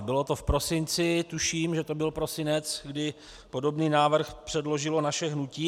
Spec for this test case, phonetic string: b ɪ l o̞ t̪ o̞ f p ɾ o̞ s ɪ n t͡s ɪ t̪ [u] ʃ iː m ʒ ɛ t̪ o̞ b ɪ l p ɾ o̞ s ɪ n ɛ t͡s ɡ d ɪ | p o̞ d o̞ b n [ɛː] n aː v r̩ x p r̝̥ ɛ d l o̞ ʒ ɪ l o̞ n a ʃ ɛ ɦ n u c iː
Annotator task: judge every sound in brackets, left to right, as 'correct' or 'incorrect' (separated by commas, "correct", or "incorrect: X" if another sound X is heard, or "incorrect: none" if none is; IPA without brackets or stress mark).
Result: correct, incorrect: iː